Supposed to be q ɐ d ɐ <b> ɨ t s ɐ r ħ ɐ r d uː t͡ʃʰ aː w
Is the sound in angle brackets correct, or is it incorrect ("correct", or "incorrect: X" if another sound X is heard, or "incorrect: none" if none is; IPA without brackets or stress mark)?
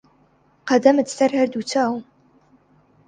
incorrect: m